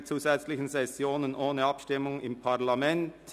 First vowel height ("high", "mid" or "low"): high